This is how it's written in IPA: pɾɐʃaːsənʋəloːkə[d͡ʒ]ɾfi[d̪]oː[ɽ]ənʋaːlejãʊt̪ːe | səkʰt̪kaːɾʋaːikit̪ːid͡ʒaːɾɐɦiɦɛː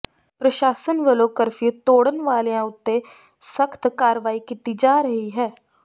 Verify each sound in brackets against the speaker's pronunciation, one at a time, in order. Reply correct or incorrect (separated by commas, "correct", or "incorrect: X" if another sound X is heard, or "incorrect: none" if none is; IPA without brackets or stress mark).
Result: incorrect: none, incorrect: t̪, correct